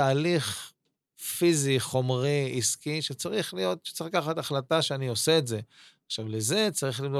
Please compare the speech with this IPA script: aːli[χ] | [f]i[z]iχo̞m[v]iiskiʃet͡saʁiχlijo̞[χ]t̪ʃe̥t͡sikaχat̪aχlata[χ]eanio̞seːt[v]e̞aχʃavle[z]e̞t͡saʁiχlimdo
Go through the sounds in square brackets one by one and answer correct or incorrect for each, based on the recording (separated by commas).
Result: correct, correct, correct, incorrect, incorrect, incorrect, incorrect, correct